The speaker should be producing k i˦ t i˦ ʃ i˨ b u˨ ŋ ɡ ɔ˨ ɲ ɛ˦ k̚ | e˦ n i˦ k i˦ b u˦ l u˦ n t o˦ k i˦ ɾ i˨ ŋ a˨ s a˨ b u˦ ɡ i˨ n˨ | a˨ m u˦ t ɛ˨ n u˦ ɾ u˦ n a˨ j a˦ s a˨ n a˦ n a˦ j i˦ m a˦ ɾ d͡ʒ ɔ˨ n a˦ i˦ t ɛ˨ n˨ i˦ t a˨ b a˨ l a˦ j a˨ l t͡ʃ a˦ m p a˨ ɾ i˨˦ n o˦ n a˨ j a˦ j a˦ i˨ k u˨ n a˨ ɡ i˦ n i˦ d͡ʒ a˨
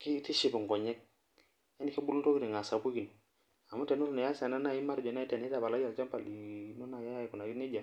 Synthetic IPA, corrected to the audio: k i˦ t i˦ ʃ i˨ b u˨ ŋ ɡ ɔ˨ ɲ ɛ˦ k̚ | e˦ n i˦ k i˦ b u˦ l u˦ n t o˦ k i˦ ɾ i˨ ŋ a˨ s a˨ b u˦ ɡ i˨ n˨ | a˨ m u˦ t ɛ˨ n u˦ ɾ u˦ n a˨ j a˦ s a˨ n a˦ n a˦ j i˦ m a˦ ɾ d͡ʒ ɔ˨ n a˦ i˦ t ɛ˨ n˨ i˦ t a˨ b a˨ l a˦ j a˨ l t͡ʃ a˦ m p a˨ l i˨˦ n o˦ n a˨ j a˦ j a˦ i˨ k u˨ n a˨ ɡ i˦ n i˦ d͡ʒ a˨